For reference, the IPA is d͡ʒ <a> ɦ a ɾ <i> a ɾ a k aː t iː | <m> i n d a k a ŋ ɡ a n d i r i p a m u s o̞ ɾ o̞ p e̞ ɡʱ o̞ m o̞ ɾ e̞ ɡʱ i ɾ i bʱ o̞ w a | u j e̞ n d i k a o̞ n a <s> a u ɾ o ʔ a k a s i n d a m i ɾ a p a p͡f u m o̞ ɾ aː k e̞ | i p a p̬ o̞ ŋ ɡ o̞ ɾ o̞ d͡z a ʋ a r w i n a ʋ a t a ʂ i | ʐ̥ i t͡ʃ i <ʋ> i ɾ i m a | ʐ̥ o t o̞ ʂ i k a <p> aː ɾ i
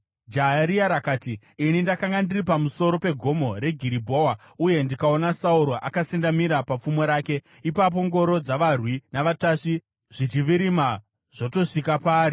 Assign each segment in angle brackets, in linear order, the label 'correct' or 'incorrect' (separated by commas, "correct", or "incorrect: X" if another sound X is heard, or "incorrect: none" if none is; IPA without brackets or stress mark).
correct, correct, incorrect: n, correct, correct, correct